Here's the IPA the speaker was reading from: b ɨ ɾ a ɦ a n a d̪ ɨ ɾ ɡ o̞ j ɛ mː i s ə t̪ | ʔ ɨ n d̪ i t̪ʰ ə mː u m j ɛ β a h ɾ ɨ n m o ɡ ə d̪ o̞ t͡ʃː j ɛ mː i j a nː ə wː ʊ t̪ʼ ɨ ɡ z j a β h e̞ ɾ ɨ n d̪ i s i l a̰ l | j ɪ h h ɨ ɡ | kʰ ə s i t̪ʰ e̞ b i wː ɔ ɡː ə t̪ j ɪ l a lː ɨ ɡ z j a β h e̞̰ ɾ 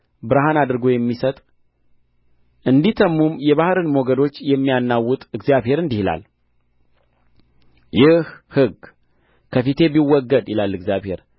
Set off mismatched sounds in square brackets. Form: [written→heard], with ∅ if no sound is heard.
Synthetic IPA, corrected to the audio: b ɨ ɾ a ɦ a n a d̪ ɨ ɾ ɡ o̞ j ɛ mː i s ə [t̪→t̪ʼ] | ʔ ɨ n d̪ i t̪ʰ ə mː u m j ɛ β a h ɾ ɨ n m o ɡ ə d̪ o̞ t͡ʃː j ɛ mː i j a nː [ə→a] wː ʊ t̪ʼ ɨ ɡ z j a β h e̞ ɾ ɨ n d̪ i [s→h] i l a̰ l | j ɪ h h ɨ ɡ | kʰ ə [s→f] i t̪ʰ e̞ b i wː ɔ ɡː ə [t̪→d̪] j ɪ l a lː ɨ ɡ z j a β h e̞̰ ɾ